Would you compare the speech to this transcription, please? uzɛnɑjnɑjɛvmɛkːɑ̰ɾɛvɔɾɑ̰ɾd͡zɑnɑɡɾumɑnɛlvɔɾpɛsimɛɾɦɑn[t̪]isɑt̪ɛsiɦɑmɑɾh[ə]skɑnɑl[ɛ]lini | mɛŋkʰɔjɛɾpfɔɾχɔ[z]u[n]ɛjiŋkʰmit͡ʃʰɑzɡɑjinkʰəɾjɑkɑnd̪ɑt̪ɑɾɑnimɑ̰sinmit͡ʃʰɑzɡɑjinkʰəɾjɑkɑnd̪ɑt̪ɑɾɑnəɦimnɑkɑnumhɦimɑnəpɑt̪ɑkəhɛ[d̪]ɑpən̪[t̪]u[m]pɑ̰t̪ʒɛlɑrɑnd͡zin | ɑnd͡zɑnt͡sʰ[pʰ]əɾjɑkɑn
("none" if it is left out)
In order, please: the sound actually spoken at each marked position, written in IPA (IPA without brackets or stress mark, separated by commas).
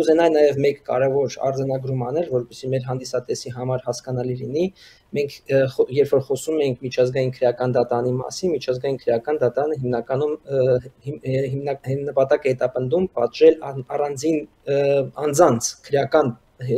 d̪, ɑ, i, s, m, t̪, d̪, m, kʰ